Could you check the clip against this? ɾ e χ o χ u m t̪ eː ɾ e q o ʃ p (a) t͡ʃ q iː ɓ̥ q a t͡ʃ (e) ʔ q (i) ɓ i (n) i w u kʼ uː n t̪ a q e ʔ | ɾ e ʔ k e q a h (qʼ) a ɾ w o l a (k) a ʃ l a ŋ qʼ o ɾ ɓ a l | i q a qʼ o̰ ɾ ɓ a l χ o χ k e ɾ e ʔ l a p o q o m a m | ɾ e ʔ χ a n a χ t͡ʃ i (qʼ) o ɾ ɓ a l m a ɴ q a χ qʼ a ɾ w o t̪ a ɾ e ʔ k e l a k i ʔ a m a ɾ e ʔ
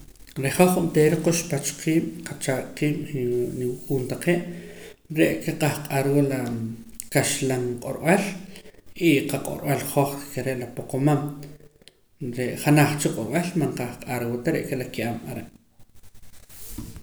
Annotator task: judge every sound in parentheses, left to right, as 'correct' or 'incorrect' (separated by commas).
correct, incorrect, incorrect, correct, correct, correct, correct